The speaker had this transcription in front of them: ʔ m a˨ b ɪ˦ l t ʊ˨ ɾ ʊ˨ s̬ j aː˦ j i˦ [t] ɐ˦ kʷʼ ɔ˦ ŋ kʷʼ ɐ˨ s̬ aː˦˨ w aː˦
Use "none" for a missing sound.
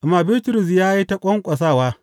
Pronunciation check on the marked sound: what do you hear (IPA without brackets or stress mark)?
t